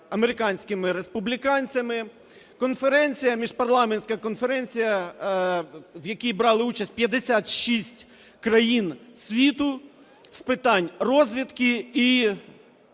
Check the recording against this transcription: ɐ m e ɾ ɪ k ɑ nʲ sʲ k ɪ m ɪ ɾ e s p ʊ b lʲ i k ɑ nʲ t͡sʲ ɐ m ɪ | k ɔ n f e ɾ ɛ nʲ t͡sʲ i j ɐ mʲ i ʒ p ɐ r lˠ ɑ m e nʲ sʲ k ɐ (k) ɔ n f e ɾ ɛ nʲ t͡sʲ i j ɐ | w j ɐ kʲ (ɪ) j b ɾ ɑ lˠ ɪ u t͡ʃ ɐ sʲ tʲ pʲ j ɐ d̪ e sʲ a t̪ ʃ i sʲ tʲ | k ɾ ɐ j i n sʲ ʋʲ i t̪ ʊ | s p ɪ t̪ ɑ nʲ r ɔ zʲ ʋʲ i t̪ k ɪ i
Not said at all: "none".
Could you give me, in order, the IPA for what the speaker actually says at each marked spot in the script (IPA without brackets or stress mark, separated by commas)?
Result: k, i